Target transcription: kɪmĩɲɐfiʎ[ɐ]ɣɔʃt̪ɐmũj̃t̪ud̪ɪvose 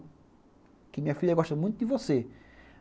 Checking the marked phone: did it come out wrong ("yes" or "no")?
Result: no